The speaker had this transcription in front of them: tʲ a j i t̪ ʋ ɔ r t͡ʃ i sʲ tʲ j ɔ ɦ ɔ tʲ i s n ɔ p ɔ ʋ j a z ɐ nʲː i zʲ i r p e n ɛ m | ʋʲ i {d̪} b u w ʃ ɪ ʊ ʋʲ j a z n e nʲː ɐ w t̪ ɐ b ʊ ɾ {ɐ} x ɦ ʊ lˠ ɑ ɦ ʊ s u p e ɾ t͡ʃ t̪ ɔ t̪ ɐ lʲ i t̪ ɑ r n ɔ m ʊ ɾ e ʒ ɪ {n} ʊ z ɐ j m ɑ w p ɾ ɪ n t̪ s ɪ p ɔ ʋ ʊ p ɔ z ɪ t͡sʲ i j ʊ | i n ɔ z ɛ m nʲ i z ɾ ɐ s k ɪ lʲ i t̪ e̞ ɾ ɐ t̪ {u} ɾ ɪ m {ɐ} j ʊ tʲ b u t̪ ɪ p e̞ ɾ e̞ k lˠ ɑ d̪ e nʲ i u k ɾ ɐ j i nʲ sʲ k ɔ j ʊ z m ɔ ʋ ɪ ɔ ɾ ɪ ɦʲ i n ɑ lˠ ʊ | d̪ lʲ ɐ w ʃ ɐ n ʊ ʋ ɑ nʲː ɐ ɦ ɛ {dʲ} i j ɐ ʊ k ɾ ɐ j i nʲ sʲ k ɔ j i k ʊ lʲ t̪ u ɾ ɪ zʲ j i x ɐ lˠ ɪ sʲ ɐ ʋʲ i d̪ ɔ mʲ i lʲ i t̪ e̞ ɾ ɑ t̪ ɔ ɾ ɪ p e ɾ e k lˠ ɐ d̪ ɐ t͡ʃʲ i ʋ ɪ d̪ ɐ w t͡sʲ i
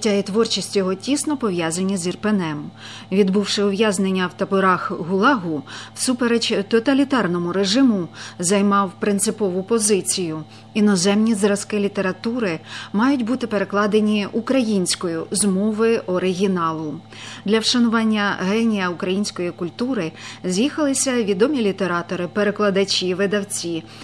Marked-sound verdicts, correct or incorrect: correct, incorrect, incorrect, correct, incorrect, incorrect

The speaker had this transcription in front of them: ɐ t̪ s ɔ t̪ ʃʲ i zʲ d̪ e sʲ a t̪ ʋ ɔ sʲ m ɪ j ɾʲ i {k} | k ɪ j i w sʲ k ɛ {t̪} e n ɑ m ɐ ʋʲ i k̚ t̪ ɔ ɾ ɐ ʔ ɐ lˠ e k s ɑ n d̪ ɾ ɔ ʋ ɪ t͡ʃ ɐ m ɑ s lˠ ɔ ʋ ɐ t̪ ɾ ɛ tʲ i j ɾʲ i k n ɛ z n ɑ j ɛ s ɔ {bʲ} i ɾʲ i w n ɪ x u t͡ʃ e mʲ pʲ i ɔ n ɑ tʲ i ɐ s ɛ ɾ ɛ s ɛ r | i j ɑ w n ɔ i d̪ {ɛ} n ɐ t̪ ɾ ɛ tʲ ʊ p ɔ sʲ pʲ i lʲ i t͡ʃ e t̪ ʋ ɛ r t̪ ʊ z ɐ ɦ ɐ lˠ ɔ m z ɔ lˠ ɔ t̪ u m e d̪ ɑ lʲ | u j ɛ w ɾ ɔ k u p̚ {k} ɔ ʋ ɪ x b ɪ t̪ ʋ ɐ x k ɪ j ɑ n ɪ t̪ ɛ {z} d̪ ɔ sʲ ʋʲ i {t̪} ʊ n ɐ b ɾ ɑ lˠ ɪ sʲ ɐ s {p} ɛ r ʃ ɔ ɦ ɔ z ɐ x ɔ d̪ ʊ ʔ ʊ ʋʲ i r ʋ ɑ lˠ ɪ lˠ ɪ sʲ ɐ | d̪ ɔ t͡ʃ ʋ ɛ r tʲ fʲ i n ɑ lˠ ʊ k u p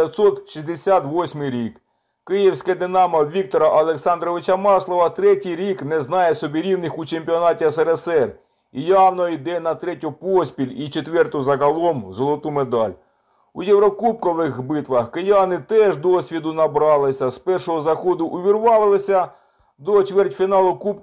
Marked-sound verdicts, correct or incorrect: correct, incorrect, correct, correct, correct, incorrect, incorrect, correct

